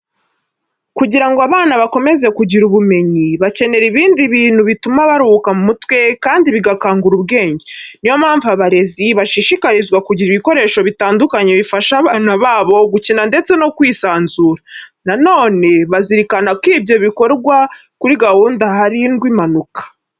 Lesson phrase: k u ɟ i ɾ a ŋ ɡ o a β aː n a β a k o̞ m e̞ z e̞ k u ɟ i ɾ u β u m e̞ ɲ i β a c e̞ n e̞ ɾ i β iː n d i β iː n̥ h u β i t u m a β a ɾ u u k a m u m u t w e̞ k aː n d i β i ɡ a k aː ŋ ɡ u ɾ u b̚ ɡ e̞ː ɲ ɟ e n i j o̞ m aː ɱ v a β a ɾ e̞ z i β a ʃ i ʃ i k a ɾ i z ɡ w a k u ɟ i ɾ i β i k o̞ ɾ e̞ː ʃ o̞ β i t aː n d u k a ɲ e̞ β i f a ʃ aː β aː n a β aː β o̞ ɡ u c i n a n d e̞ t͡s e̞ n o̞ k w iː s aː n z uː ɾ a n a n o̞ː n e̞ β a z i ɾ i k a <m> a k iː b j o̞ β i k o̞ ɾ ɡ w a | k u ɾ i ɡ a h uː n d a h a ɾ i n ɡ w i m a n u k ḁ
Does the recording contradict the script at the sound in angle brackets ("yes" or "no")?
yes